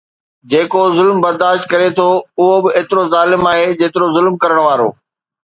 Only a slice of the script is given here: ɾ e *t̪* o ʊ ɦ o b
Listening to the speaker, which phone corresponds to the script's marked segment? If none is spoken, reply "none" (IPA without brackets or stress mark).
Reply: t̪ʰ